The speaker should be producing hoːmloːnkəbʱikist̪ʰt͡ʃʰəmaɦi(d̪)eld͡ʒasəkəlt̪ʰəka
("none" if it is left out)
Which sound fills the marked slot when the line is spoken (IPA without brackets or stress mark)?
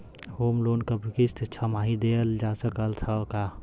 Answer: d̪